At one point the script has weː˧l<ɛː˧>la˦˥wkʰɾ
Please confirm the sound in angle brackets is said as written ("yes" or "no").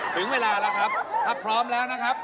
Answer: no